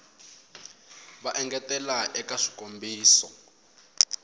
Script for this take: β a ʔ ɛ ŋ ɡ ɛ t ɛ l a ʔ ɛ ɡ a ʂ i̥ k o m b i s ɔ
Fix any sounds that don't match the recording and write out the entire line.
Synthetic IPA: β a ʔ ɛ ŋ ɡ ɛ t ɛ l a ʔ ɛ k a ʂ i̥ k o m b iː s ɔ